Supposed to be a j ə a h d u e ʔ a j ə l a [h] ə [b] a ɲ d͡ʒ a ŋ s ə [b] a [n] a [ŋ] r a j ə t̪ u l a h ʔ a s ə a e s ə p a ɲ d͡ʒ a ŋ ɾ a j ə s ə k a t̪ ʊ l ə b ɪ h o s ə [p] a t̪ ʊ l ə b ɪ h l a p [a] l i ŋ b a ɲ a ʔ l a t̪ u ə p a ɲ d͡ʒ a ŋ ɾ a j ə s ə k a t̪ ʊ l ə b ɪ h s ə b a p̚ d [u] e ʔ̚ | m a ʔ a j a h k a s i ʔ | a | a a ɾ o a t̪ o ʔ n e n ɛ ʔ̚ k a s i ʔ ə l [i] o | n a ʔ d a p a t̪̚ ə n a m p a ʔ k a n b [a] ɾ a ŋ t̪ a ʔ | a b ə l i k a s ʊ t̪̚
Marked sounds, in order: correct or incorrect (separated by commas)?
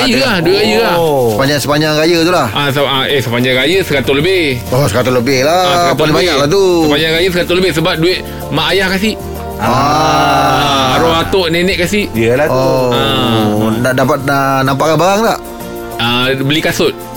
incorrect, incorrect, incorrect, incorrect, correct, incorrect, correct, correct, incorrect, correct